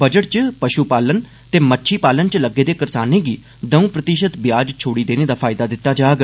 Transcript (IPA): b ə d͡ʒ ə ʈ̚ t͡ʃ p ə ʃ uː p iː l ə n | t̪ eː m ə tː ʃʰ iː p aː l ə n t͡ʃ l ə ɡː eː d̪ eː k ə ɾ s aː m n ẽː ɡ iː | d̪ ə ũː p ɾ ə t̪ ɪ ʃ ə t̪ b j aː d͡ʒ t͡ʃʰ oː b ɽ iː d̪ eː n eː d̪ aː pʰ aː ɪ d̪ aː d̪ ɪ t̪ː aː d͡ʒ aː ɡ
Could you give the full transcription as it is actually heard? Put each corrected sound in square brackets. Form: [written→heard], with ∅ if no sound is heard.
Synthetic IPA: b ə d͡ʒ ə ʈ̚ t͡ʃ p ə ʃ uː p [iː→aː] l ə n | t̪ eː m ə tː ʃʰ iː p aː l ə n t͡ʃ l ə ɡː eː d̪ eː k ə ɾ s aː [m→∅] n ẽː ɡ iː | d̪ ə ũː p ɾ ə t̪ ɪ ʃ ə t̪ b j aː d͡ʒ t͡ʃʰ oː [b→∅] ɽ iː d̪ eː n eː d̪ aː pʰ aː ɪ d̪ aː d̪ ɪ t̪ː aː d͡ʒ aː ɡ